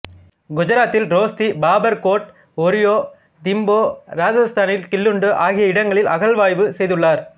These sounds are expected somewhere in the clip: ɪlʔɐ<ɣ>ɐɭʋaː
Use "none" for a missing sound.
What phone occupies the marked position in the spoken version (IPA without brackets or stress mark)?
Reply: ɣ